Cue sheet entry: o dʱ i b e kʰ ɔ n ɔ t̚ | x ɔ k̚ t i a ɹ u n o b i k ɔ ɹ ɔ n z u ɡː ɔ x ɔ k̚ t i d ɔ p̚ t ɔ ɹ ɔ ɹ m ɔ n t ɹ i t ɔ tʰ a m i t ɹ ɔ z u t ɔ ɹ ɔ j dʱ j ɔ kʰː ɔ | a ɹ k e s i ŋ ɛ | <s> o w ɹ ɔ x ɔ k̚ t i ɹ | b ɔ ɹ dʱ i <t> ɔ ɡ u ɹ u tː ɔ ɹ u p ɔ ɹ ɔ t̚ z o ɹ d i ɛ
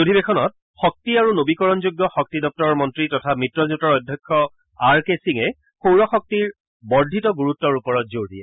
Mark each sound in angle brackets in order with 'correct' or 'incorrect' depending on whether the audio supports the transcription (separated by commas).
incorrect, correct